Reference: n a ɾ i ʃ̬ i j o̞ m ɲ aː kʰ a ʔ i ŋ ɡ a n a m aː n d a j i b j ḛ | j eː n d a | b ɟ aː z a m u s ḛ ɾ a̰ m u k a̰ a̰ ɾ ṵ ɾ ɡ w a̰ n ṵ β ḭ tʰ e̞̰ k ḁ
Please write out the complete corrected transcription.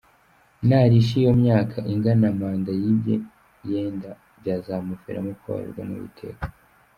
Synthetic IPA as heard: n a ɾ i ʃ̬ i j o̞ m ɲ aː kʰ a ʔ i ŋ ɡ a n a m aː n d a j i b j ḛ | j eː n d a | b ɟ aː z a m u f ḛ ɾ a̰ m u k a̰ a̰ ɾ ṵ ɾ ɡ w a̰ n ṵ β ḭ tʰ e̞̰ k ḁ